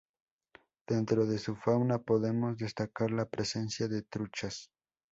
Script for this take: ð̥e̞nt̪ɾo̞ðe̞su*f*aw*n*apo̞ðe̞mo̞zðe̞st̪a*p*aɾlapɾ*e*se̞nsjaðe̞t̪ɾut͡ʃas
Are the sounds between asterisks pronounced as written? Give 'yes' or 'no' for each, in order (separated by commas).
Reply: yes, yes, no, yes